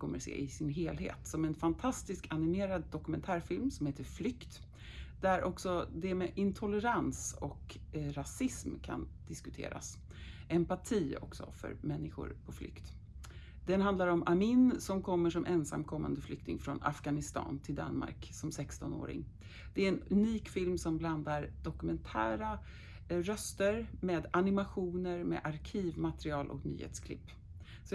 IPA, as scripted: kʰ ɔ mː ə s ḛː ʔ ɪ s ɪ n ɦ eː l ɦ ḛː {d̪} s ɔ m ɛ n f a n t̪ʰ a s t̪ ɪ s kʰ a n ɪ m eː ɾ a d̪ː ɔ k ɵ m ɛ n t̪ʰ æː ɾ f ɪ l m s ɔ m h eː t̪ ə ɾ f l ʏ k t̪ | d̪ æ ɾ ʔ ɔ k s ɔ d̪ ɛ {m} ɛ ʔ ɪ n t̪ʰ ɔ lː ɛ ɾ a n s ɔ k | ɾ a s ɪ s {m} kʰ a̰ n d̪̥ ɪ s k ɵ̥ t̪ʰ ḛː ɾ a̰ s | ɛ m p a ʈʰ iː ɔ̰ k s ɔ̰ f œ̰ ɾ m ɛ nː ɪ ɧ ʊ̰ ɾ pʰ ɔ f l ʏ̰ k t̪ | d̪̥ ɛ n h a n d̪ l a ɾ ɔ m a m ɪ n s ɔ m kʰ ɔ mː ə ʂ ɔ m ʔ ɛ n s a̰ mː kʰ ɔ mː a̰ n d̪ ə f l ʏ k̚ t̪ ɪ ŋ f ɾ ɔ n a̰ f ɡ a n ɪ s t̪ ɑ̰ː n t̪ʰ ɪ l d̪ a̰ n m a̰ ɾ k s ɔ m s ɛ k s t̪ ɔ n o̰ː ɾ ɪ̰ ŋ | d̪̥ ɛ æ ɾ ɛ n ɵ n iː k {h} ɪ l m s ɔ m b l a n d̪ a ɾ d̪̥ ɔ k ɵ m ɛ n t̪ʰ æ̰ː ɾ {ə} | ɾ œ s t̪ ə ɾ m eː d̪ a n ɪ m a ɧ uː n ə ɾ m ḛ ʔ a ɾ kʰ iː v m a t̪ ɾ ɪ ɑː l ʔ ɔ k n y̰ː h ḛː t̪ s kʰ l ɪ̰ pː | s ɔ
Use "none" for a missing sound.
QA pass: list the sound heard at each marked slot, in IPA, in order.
t̪, m, m, f, a

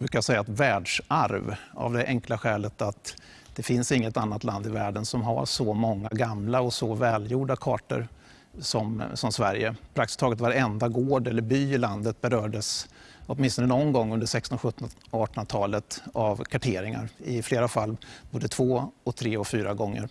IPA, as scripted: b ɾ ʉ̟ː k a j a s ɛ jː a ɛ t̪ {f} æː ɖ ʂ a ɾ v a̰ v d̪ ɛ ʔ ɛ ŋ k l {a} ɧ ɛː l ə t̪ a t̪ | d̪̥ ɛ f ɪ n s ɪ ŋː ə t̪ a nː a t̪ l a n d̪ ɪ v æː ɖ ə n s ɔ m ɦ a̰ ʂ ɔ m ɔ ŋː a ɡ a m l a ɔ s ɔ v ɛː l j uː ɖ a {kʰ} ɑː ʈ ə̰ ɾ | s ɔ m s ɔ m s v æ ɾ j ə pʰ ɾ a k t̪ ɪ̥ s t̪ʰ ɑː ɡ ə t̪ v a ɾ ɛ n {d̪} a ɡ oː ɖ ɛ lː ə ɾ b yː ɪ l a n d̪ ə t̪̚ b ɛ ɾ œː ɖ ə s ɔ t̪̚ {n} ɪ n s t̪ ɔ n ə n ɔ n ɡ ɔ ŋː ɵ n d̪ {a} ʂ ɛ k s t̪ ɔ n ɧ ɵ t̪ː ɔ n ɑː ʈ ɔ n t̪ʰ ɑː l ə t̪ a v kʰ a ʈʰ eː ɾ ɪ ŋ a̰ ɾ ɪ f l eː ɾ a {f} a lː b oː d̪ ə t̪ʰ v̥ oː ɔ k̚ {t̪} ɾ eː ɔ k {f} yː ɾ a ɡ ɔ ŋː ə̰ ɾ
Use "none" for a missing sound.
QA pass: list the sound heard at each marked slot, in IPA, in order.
v, a, kʰ, d̪, m, ə, f, t̪ʰ, f

